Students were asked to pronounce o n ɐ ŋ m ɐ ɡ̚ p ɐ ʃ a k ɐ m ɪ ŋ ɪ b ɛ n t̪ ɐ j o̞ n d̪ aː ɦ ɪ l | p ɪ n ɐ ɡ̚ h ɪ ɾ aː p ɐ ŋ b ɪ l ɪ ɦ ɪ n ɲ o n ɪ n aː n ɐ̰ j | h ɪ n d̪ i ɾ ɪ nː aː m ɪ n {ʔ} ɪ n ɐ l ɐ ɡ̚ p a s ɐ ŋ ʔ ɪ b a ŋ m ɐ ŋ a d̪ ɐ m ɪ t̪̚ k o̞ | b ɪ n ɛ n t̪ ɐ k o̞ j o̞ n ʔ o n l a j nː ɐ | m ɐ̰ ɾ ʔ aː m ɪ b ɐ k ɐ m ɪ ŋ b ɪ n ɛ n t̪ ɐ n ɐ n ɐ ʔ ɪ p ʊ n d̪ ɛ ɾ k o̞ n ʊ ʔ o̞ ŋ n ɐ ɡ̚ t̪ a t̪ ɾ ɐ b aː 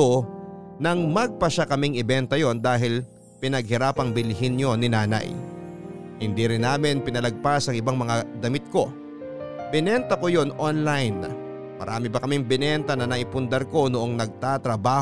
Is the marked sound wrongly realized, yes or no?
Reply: yes